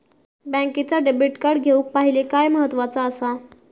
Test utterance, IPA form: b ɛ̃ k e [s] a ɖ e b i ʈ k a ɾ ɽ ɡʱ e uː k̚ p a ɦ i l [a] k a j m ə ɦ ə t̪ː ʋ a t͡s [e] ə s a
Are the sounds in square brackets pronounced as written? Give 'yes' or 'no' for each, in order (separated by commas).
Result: no, no, no